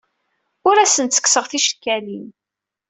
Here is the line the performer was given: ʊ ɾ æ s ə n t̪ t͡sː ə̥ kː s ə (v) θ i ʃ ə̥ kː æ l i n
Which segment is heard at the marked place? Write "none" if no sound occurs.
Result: ʁ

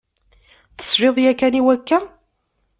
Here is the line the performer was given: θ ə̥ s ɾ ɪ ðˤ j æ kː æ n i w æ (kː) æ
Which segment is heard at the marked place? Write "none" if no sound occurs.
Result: kː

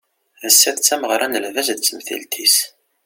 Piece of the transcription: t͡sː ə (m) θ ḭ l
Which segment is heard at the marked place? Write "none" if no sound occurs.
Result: m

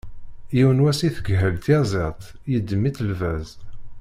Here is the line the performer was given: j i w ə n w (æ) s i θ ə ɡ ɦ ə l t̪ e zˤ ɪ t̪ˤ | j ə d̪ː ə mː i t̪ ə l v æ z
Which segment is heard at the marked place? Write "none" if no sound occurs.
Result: æ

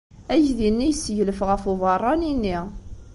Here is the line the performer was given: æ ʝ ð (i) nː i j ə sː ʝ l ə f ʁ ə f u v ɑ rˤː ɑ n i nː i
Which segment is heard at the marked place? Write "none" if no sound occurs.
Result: i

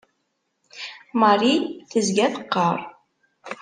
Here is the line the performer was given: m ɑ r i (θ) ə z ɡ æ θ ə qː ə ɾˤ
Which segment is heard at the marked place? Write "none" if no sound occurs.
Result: θ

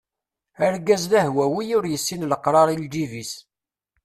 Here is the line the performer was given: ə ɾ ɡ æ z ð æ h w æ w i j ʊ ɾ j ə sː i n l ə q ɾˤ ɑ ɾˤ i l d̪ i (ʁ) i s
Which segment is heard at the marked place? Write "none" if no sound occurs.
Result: v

